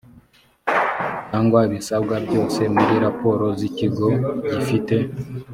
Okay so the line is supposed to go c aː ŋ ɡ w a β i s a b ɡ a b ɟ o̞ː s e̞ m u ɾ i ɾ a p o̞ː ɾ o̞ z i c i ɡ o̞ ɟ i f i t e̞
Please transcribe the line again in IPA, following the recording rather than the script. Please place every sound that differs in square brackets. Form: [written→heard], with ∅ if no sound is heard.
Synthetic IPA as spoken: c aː ŋ ɡ w a β i s a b ɡ a b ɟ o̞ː s e̞ m u ɾ i ɾ a p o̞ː ɾ o̞ z i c i ɡ o̞ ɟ i f i t e̞